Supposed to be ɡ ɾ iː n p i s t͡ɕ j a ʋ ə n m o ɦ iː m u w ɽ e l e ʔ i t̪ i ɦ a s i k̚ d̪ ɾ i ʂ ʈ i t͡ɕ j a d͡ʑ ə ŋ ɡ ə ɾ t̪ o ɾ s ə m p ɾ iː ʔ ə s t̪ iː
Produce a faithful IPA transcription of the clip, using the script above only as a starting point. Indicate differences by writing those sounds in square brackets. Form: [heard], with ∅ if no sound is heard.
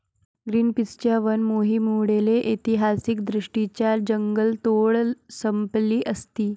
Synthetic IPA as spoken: ɡ ɾ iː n p i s t͡ɕ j a ʋ ə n m o ɦ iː m u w ɽ e l e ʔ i t̪ i ɦ a s i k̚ d̪ ɾ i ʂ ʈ i t͡ɕ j a d͡ʑ ə ŋ ɡ ə [l] t̪ o [ɭ] s ə m p [l] iː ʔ ə s t̪ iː